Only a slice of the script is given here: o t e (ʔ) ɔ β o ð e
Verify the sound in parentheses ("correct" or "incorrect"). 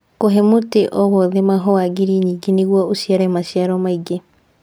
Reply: correct